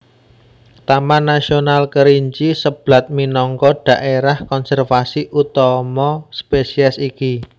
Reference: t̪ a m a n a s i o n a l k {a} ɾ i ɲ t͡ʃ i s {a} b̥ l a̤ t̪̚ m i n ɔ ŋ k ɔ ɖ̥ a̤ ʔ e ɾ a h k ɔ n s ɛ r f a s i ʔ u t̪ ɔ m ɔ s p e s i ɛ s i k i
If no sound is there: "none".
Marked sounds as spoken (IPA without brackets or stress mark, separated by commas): ə, ə